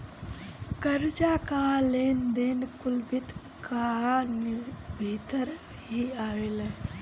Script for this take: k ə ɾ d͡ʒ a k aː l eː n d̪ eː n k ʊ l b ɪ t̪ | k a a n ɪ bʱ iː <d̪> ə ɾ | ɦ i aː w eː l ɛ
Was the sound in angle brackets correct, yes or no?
no